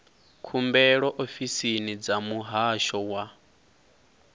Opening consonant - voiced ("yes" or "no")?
no